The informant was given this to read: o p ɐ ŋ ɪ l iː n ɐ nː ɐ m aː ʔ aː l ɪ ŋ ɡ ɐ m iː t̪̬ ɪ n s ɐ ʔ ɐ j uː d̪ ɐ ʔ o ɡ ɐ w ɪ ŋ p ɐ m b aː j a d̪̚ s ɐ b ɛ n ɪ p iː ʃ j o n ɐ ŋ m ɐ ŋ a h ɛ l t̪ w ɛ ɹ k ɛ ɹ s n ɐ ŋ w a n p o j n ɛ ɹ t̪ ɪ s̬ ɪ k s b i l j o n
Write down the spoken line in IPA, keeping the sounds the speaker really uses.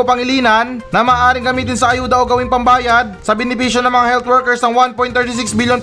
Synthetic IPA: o p ɐ ŋ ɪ l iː n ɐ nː ɐ m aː ʔ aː ɾ ɪ ŋ ɡ ɐ m iː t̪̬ ɪ n s ɐ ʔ ɐ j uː d̪ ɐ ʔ o ɡ ɐ w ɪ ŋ p ɐ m b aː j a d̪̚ s ɐ b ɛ n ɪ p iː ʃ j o n ɐ ŋ m ɐ ŋ a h ɛ l t̪ w ɛ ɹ k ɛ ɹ s n ɐ ŋ w a n p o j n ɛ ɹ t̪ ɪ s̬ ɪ k s b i l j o n